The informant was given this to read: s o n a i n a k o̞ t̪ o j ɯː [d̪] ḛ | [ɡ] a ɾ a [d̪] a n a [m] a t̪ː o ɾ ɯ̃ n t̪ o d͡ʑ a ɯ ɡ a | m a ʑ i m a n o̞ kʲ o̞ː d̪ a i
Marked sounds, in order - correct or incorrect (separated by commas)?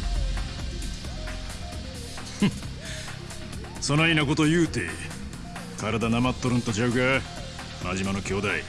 incorrect, incorrect, correct, correct